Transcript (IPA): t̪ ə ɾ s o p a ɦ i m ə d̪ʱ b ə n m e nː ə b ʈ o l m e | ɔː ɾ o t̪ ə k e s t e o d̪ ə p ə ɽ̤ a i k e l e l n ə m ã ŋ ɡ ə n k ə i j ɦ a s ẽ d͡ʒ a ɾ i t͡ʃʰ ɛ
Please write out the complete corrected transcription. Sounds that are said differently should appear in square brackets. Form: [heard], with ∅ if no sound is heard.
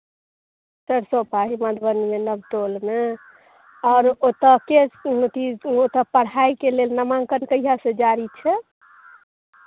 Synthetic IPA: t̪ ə ɾ s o p a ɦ i m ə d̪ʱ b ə n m e [n] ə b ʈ o l m e | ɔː ɾ o t̪ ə k e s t [i] o [t̪] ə p ə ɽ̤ a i k e l e l n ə m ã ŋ [k] ə n k ə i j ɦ a s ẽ d͡ʒ a ɾ i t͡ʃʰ ɛ